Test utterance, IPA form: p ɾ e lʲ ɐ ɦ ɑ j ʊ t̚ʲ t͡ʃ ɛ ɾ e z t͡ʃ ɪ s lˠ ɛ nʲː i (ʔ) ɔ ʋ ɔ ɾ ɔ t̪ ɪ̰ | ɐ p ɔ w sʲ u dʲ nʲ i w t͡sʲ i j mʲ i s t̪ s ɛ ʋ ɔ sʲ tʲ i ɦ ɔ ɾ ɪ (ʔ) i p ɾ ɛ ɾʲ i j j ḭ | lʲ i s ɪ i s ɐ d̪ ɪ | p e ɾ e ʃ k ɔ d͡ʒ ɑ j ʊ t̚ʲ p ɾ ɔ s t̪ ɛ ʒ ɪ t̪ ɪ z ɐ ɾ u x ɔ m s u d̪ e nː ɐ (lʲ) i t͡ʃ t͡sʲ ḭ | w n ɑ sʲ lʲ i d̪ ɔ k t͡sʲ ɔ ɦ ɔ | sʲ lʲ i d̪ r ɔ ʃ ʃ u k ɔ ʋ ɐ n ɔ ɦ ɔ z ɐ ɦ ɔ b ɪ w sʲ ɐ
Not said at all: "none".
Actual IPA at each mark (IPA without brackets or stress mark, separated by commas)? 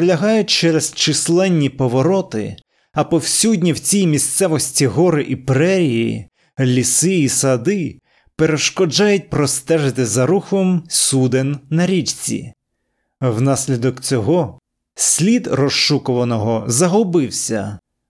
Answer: p, ʔ, ɾʲ